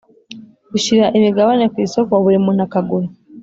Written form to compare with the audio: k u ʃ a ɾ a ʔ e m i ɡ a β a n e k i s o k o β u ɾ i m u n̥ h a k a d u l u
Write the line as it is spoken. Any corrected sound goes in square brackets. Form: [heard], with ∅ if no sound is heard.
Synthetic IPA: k u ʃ [i] ɾ a ʔ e m i ɡ a β a n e k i s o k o β u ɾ i m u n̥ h a k a [ɡ] u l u